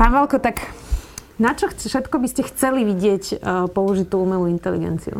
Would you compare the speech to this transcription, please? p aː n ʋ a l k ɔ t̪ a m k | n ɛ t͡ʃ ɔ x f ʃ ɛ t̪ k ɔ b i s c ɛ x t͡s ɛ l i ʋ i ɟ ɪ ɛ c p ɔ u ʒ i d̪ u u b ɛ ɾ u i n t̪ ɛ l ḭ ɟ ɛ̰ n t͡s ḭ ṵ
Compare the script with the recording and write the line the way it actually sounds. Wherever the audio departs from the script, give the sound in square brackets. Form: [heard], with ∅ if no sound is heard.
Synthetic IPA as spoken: p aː n ʋ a l k ɔ t̪ a [∅] k | n [a] t͡ʃ ɔ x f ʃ ɛ t̪ k ɔ b i s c ɛ x t͡s ɛ l i ʋ i ɟ ɪ ɛ c p ɔ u ʒ i [t̪] u u [m] ɛ [l] u i n t̪ ɛ l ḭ [ɡ] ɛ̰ n t͡s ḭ ṵ